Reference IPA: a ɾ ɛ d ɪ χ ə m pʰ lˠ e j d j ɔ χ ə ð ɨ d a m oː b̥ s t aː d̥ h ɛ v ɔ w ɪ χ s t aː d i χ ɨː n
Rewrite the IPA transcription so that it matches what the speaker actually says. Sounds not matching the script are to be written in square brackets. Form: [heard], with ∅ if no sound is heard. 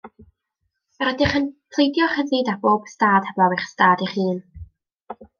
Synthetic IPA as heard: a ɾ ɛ d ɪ χ ə [n] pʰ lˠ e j d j ɔ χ ə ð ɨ d a [b] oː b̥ s t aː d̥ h ɛ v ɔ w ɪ χ s t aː d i χ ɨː n